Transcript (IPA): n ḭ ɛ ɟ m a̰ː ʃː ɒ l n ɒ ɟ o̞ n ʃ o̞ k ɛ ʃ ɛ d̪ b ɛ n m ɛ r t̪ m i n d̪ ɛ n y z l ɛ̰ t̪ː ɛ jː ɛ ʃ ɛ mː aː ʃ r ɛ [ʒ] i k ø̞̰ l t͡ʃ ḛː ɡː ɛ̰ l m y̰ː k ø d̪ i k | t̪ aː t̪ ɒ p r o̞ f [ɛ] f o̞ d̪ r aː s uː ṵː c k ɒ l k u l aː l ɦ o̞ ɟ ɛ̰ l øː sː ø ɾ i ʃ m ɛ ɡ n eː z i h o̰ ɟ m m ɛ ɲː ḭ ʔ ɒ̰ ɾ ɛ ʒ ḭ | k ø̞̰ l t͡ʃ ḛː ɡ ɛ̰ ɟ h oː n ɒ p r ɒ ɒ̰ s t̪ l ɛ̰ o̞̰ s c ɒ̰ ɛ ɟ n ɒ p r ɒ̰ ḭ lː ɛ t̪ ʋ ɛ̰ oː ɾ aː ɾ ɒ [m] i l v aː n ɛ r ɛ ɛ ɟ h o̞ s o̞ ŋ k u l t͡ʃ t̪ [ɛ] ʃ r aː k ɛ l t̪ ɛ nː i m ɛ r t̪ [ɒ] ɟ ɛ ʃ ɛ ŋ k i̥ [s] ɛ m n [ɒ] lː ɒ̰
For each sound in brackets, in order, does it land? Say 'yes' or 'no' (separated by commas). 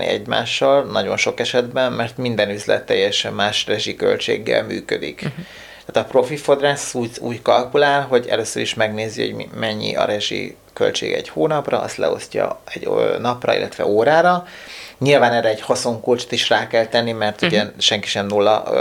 yes, no, no, no, no, no, no